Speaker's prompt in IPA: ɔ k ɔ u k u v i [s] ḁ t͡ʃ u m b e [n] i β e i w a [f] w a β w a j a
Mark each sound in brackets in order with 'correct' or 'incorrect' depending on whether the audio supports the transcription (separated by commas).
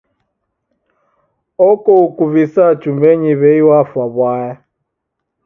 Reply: correct, incorrect, correct